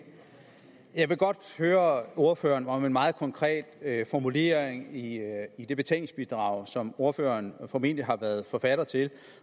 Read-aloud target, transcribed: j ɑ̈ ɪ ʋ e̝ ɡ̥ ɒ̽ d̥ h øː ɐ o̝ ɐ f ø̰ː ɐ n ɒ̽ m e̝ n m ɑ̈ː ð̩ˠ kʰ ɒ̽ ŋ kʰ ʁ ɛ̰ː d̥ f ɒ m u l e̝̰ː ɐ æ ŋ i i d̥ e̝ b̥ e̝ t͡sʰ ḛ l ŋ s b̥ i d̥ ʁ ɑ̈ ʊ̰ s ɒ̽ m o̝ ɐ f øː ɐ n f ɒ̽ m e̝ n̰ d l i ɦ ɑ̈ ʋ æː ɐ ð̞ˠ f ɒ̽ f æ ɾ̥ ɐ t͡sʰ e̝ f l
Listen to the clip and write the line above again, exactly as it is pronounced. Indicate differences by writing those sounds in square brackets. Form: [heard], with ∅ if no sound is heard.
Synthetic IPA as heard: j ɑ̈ ɪ ʋ e̝ ɡ̥ ɒ̽ d̥ h øː ɐ o̝ ɐ f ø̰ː ɐ n ɒ̽ m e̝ n m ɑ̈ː ð̩ˠ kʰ ɒ̽ ŋ kʰ ʁ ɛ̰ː d̥ f ɒ m u l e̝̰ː ɐ [e] ŋ i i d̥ e̝ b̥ e̝ t͡sʰ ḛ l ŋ s b̥ i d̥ ʁ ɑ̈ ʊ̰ s ɒ̽ m o̝ ɐ f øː ɐ n f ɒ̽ m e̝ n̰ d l i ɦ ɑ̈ ʋ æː ɐ ð̞ˠ f ɒ̽ f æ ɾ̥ ɐ t͡sʰ e̝ [∅] l

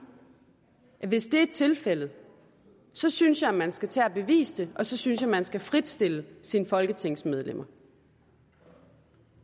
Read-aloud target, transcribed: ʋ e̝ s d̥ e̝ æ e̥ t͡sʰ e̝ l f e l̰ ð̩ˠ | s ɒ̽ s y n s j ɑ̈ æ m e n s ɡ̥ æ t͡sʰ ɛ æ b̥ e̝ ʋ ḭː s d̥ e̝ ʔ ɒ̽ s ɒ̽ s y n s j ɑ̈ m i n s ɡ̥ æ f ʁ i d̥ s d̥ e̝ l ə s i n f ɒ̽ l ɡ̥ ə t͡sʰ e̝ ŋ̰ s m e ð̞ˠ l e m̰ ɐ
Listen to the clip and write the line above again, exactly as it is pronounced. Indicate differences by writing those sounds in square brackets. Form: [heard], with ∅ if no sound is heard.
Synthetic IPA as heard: ʋ e̝ s d̥ e̝ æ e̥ t͡sʰ e̝ l f e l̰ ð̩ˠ | s ɒ̽ s y n s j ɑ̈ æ m [æ] n s ɡ̥ æ t͡sʰ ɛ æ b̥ e̝ ʋ ḭː s d̥ e̝ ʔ ɒ̽ s ɒ̽ s y n s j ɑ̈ m [æ] n s ɡ̥ æ f ʁ i d̥ s d̥ e̝ l ə s i n f ɒ̽ l ɡ̥ ə t͡sʰ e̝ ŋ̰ s m e ð̞ˠ l e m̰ ɐ

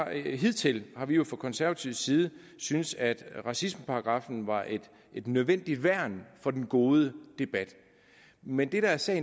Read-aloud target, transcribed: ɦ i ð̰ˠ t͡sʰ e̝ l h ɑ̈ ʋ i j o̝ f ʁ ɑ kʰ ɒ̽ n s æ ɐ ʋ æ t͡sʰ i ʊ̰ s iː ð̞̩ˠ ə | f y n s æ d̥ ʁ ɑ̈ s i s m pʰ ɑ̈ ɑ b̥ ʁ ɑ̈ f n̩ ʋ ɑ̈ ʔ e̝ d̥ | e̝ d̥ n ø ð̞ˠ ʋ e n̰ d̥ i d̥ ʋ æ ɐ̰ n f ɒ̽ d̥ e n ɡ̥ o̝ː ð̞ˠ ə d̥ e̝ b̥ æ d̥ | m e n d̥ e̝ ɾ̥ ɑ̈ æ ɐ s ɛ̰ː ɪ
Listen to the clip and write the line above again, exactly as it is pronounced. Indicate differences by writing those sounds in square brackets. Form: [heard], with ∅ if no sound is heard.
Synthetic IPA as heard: ɦ i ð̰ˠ t͡sʰ e̝ l h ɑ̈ ʋ i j o̝ f ʁ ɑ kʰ ɒ̽ n s æ ɐ ʋ æ t͡sʰ i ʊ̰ s iː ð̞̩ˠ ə | [s] y n s æ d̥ ʁ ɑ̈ s i s m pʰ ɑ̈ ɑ [ɡ̥] ʁ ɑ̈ f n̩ ʋ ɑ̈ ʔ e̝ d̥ | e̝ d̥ n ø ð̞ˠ ʋ e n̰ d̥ i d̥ ʋ æ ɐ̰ n f ɒ̽ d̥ e n ɡ̥ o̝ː ð̞ˠ ə d̥ e̝ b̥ æ d̥ | m e n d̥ e̝ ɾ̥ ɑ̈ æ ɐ s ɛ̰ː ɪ

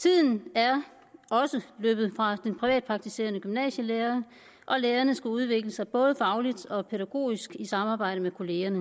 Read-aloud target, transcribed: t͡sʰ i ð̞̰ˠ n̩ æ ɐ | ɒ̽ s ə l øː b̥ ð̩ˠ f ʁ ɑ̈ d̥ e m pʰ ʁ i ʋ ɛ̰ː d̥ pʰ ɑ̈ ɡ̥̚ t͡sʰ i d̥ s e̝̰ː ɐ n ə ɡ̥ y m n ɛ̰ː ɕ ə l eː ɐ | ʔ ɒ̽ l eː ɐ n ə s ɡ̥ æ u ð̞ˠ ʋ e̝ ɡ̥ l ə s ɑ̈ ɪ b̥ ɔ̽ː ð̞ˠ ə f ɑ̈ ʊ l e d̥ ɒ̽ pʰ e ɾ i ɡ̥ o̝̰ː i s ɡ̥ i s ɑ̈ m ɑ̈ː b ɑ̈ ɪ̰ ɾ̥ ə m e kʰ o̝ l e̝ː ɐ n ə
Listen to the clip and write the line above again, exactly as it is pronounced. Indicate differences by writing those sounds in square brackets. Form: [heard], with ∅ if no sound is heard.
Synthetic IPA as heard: t͡sʰ i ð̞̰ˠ n̩ æ ɐ | ɒ̽ s ə l øː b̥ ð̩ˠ f ʁ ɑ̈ d̥ e [n] pʰ ʁ i ʋ ɛ̰ː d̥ pʰ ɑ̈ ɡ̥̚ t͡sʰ i [∅] s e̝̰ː ɐ n ə ɡ̥ y m n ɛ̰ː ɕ ə l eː ɐ | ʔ ɒ̽ l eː ɐ n ə s ɡ̥ æ u ð̞ˠ ʋ e̝ ɡ̥ l ə s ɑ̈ ɪ b̥ ɔ̽ː ð̞ˠ ə f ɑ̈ ʊ l [i] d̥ ɒ̽ pʰ e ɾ [æ] ɡ̥ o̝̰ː i s ɡ̥ i s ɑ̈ m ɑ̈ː b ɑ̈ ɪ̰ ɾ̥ ə m e kʰ o̝ l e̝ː ɐ n ə

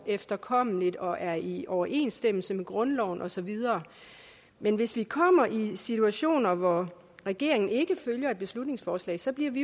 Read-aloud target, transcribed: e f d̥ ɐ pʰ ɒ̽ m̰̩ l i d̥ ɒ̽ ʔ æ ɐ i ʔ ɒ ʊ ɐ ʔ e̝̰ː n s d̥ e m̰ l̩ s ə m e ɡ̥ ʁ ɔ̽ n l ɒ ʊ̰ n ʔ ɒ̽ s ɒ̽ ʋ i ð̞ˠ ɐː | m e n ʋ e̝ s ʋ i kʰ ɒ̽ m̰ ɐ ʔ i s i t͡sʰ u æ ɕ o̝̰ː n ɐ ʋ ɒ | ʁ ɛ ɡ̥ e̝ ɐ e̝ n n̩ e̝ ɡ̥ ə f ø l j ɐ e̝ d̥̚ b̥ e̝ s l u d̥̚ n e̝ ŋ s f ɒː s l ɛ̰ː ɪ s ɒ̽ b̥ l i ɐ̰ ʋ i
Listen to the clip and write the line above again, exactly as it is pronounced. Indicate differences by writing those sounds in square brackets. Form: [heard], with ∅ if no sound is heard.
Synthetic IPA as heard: e f d̥ ɐ [kʰ] ɒ̽ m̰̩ l i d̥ ɒ̽ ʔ æ ɐ i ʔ ɒ ʊ ɐ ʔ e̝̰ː n s d̥ e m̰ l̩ s ə m e ɡ̥ ʁ ɔ̽ n l ɒ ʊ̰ n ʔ ɒ̽ s ɒ̽ ʋ i ð̞ˠ ɐː | m e n ʋ e̝ s ʋ i kʰ ɒ̽ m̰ ɐ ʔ i s i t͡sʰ u æ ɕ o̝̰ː n ɐ ʋ ɒ | ʁ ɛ ɡ̥ e̝ ɐ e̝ [ŋ] n̩ e̝ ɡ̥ ə f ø l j ɐ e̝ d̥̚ b̥ e̝ s l u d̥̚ n e̝ ŋ s f ɒː s l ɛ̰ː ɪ s ɒ̽ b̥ l i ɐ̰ ʋ i

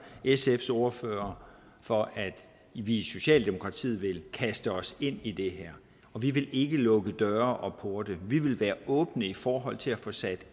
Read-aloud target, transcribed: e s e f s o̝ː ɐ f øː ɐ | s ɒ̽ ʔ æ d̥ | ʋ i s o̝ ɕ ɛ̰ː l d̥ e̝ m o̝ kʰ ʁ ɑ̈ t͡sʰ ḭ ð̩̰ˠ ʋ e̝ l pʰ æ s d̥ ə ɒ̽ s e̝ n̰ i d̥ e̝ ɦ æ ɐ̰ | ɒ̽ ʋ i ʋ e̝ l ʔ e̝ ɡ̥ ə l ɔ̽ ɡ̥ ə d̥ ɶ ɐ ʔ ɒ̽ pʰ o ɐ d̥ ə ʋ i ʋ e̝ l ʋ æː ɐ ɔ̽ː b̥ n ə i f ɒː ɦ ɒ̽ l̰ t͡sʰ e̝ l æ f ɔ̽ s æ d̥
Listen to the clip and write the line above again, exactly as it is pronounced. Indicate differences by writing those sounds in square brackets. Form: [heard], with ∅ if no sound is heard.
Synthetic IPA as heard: e s e f s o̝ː ɐ f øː ɐ | [f] ɒ̽ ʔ æ d̥ | ʋ i s o̝ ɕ ɛ̰ː l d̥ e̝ m o̝ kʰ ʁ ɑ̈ t͡sʰ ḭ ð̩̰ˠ ʋ e̝ l [kʰ] æ s d̥ ə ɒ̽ s e̝ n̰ i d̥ e̝ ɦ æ ɐ̰ | ɒ̽ ʋ i ʋ e̝ l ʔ e̝ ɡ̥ ə l ɔ̽ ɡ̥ ə d̥ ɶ ɐ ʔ ɒ̽ pʰ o ɐ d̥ ə ʋ i ʋ e̝ l ʋ æː ɐ ɔ̽ː b̥ n ə i f ɒː ɦ ɒ̽ l̰ t͡sʰ e̝ l æ f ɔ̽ s æ d̥

